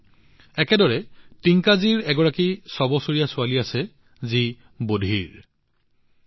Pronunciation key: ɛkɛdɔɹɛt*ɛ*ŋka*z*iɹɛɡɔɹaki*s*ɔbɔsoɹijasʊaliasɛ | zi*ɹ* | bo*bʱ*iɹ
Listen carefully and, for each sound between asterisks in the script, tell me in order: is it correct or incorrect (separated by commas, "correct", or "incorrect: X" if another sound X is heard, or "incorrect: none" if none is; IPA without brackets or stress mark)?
incorrect: i, correct, correct, incorrect: none, incorrect: dʱ